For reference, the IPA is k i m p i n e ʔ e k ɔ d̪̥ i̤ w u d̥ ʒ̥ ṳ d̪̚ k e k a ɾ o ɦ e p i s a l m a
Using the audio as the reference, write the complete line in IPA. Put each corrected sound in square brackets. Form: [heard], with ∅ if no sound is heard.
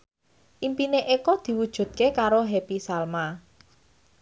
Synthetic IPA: [ʔ] i m p i n e ʔ e k ɔ d̪̥ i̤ w u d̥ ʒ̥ ṳ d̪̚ k e k a ɾ o ɦ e p i s a l m a